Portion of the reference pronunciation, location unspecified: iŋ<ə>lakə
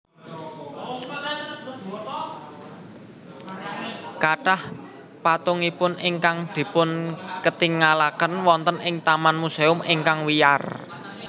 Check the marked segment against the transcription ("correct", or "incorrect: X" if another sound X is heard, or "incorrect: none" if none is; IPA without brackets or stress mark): incorrect: a